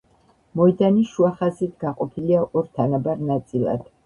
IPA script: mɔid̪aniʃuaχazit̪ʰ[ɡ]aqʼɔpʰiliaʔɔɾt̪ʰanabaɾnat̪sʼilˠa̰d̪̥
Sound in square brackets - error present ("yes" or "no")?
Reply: no